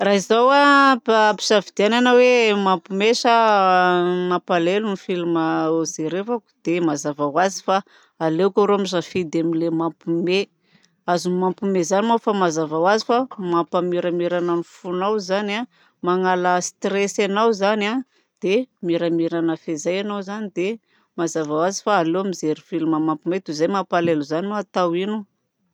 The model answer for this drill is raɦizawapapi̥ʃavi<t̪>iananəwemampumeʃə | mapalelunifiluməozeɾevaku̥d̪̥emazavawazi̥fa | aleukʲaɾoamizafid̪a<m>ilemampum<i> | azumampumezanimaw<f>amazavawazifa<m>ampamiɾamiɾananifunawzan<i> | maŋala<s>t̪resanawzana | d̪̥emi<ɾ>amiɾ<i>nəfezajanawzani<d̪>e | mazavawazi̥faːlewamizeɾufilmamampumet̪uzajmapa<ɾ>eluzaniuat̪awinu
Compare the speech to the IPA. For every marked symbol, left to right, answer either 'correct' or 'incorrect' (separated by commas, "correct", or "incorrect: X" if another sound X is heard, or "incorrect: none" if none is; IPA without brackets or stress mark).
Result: incorrect: d̪, correct, incorrect: e, correct, correct, incorrect: a, correct, correct, incorrect: a, correct, incorrect: l